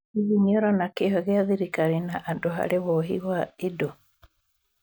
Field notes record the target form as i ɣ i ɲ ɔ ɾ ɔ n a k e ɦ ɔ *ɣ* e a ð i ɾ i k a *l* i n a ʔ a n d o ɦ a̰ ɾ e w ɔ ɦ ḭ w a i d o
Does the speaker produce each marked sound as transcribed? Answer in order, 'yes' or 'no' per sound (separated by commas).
yes, no